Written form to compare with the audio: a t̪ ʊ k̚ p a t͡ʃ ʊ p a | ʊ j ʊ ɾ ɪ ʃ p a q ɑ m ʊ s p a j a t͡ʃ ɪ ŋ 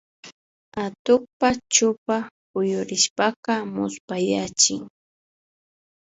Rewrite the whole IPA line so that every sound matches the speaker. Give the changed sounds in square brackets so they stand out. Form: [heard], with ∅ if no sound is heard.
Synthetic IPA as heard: a t̪ ʊ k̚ p a t͡ʃ ʊ p a | ʊ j ʊ ɾ ɪ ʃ p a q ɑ m ʊ s p a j a t͡ʃ ɪ ŋ